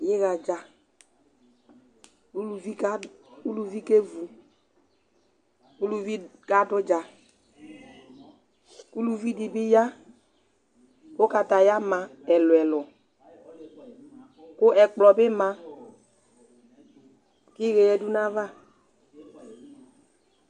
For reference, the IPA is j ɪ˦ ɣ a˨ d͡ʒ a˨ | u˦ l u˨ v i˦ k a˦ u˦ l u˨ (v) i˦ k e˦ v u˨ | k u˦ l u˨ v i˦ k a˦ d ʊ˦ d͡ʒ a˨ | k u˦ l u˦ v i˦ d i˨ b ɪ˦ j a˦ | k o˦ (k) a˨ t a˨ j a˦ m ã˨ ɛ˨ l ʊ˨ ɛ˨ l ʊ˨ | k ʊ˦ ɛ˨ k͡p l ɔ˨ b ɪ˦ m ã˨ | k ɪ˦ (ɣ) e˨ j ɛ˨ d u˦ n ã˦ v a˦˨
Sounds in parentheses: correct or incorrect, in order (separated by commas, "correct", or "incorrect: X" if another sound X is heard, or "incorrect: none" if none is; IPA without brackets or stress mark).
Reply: correct, correct, correct